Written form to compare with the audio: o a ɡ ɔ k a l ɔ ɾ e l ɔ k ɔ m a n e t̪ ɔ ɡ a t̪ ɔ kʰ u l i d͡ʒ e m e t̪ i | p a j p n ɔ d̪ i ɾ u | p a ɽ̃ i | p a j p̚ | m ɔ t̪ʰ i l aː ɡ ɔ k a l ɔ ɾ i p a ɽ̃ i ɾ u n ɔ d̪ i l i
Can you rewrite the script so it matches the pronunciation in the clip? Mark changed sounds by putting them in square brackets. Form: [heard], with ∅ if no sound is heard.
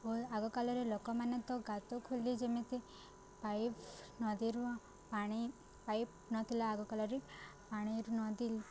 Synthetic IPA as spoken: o a ɡ ɔ k a l ɔ ɾ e l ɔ k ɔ m a n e t̪ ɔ ɡ a t̪ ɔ kʰ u l i d͡ʒ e m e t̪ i | p a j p n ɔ d̪ i ɾ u | p a ɽ̃ i | p a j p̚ | [n] ɔ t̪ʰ i l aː ɡ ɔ k a l ɔ ɾ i p a ɽ̃ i ɾ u n ɔ d̪ i l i